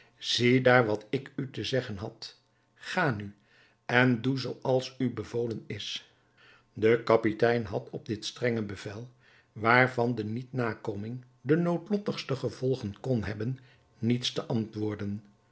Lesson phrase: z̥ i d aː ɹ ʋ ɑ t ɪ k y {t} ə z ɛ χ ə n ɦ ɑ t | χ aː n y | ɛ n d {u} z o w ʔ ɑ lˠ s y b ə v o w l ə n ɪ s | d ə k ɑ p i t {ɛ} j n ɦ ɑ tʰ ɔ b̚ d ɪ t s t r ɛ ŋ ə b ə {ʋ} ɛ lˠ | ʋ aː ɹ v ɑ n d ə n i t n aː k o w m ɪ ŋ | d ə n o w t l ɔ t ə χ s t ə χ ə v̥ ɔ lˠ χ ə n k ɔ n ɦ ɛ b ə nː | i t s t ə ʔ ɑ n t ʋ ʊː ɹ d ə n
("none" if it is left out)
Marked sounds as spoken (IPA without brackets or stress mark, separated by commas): t, u, ɛ, v